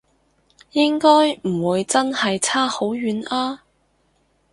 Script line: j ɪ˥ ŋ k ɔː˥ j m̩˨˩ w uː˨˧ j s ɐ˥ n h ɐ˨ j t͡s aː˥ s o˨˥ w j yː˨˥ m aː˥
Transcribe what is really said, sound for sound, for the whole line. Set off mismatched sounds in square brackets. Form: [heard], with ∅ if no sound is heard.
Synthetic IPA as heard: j ɪ˥ ŋ k ɔː˥ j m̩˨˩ w uː˨˧ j [t͡s] ɐ˥ n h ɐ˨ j [t͡sʰ] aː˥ [h] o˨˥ w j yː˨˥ [n] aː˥